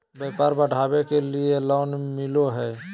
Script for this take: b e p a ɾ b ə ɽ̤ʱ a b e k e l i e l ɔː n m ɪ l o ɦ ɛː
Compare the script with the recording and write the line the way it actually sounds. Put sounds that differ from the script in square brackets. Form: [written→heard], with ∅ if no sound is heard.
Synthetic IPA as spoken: b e p a ɾ b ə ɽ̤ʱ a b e k e l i e l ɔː n m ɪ l o ɦ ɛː